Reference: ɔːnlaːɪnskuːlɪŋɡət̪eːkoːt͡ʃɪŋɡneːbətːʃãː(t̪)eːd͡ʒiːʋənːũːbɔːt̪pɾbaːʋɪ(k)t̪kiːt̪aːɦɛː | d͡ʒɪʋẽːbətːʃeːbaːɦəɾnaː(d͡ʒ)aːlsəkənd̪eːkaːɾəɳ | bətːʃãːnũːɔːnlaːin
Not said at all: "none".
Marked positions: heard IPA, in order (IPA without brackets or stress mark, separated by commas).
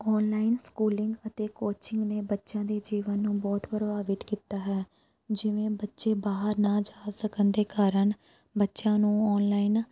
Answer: d̪, none, d͡ʒ